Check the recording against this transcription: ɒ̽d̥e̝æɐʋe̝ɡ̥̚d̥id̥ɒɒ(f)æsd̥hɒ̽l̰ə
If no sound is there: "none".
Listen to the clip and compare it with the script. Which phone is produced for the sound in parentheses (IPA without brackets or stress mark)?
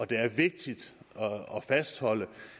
f